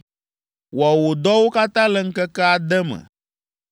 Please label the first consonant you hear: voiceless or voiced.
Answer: voiced